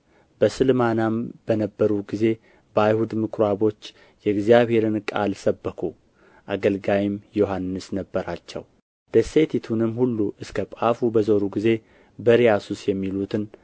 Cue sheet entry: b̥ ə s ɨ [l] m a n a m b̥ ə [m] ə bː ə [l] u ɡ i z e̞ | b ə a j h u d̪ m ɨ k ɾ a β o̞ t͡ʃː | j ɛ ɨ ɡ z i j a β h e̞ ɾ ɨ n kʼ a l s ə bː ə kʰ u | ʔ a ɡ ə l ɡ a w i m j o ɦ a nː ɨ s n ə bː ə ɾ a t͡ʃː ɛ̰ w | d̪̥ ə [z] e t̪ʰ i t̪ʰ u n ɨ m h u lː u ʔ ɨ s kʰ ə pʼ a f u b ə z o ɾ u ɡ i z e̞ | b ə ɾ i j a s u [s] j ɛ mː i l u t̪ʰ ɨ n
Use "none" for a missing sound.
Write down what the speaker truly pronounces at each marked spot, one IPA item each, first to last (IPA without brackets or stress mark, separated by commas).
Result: l, n, ɾ, s, s